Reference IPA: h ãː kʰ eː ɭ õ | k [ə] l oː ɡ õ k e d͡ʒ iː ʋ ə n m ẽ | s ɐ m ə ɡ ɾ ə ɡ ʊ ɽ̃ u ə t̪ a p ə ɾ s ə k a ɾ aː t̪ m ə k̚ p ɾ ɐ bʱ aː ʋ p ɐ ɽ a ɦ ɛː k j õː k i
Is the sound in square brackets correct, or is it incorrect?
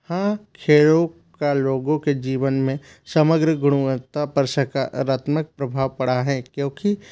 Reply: incorrect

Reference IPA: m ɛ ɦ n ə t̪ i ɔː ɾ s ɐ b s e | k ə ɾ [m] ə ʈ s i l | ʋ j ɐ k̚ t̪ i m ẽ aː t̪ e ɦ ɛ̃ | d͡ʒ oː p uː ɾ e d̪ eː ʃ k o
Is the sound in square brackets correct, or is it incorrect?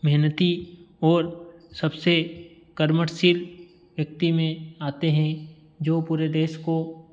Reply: correct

